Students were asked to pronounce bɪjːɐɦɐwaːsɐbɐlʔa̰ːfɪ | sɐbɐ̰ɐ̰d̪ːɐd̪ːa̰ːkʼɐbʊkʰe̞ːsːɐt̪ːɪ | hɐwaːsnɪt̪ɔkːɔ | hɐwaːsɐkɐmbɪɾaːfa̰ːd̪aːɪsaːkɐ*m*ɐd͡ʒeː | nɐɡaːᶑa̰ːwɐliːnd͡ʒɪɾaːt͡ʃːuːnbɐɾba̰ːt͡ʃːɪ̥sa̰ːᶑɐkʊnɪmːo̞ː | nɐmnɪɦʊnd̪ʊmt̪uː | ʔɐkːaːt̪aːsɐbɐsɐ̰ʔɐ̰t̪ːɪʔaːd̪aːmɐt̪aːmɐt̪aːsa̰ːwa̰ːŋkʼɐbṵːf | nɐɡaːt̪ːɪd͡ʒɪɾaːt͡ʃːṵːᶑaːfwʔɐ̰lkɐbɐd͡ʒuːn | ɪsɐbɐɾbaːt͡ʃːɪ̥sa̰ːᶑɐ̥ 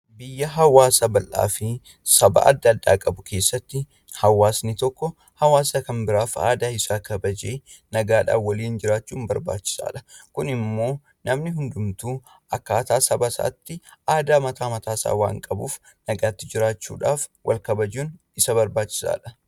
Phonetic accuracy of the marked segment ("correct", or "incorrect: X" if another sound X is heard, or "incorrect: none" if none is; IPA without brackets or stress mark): incorrect: b